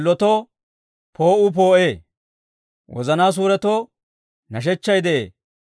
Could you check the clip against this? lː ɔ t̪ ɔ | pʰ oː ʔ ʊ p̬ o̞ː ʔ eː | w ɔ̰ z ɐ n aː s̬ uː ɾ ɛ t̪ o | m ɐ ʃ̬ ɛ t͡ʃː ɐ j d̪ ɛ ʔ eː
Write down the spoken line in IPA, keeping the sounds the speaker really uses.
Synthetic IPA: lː ɔ t̪ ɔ | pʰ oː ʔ ʊ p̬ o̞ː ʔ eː | w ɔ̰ z ɐ n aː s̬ uː ɾ ɛ t̪ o | n ɐ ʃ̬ ɛ t͡ʃː ɐ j d̪ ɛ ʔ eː